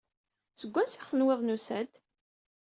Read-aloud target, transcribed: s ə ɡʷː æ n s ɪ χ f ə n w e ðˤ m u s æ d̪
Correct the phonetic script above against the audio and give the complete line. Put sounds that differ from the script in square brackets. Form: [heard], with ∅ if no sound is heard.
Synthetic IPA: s ə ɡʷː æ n s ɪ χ [θ] ə n w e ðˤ [n] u s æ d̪